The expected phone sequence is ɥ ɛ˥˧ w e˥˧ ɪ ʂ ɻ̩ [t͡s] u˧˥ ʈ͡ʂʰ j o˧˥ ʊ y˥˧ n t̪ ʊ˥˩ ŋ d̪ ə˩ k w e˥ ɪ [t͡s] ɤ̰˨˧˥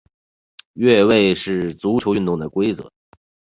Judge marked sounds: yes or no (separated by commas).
yes, yes